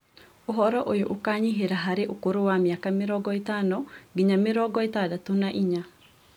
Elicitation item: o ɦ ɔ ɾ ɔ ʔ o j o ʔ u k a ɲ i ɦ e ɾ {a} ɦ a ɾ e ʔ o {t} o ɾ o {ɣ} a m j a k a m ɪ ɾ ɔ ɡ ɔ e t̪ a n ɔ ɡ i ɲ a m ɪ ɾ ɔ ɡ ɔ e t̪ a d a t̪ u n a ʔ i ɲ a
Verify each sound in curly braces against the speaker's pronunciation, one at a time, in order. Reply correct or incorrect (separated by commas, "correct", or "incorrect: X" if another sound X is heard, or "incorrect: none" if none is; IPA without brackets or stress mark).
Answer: correct, incorrect: k, incorrect: w